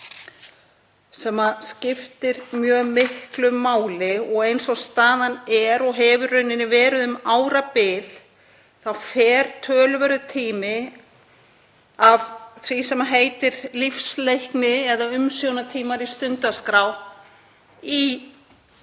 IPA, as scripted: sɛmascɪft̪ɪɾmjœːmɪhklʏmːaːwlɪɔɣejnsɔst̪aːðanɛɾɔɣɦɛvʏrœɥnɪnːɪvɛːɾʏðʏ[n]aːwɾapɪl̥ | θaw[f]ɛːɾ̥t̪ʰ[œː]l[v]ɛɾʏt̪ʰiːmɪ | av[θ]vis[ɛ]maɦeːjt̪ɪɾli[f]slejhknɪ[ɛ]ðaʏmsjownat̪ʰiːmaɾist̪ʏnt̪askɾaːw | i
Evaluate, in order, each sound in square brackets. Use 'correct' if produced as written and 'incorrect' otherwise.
incorrect, correct, correct, correct, correct, correct, correct, correct

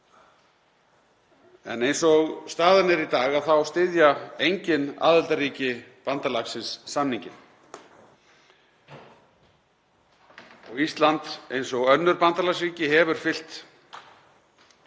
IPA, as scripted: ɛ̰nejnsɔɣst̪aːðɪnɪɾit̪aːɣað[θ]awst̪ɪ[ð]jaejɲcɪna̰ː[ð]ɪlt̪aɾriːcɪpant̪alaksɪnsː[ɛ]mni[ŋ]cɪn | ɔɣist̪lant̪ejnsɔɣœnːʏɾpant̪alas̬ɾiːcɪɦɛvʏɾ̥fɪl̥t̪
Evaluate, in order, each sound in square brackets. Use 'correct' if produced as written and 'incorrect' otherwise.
correct, correct, correct, incorrect, incorrect

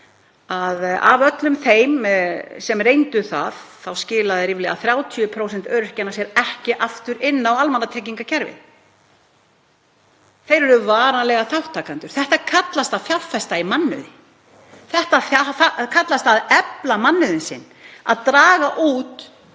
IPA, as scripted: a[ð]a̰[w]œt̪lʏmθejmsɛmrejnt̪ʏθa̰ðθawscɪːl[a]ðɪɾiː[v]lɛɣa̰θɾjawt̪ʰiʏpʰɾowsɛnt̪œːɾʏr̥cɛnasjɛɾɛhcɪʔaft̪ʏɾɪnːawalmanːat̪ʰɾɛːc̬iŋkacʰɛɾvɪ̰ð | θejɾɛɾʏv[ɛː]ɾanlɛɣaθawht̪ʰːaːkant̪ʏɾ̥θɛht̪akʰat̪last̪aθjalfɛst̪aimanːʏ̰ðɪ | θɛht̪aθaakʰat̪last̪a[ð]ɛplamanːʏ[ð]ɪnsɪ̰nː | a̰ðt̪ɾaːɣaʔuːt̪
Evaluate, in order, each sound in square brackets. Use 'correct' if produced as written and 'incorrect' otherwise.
correct, incorrect, correct, correct, incorrect, correct, correct

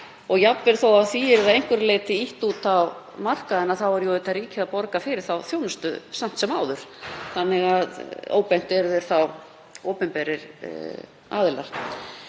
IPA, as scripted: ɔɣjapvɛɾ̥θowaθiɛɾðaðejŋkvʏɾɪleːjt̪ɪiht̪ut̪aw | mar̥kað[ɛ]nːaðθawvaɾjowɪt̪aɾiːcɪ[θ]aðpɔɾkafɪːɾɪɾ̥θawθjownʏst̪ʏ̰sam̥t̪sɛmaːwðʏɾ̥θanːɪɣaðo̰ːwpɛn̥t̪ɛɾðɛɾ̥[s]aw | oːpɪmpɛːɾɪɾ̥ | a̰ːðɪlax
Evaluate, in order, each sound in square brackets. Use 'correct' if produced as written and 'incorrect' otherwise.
correct, incorrect, incorrect

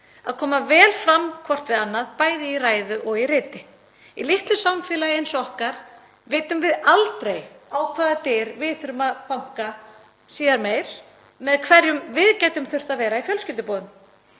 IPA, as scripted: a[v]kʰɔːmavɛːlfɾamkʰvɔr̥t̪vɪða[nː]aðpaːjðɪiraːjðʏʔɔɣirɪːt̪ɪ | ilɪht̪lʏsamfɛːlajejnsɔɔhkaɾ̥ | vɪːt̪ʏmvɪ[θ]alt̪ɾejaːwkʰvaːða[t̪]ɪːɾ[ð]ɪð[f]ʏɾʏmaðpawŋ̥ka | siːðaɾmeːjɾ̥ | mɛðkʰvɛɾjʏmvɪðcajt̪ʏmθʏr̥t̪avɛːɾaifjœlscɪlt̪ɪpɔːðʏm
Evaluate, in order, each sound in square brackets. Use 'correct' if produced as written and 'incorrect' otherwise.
incorrect, correct, incorrect, correct, incorrect, incorrect

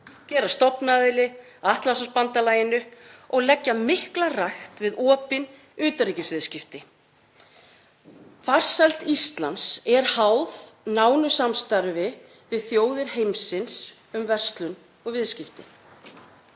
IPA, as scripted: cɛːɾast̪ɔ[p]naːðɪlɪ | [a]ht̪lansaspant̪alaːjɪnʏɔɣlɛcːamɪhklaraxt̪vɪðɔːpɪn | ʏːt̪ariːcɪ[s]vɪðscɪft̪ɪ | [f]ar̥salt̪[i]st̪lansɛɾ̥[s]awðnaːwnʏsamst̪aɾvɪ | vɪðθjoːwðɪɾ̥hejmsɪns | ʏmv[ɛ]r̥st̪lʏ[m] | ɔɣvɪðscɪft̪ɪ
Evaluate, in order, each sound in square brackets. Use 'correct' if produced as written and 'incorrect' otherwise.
correct, correct, correct, correct, correct, incorrect, correct, incorrect

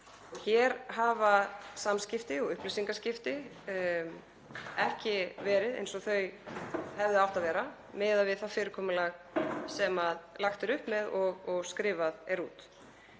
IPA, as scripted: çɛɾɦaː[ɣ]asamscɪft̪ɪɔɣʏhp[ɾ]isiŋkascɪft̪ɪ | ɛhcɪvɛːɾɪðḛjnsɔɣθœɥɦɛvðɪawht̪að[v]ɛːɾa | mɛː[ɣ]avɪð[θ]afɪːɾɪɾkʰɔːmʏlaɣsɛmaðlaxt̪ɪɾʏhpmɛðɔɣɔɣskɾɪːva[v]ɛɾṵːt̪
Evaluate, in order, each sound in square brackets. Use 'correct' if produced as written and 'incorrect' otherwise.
incorrect, incorrect, correct, incorrect, correct, incorrect

